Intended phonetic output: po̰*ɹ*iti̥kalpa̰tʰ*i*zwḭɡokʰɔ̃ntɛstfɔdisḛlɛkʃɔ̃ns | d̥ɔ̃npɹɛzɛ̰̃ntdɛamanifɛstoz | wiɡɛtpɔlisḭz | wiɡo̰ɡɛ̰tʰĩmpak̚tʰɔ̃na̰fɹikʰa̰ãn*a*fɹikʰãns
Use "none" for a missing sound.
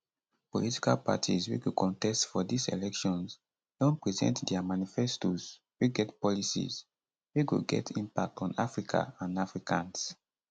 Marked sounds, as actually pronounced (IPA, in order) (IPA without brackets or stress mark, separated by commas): l, i, a